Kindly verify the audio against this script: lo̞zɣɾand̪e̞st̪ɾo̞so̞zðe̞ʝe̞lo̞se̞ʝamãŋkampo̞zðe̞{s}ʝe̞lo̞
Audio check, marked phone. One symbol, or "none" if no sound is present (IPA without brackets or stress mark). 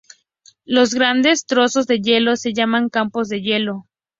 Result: none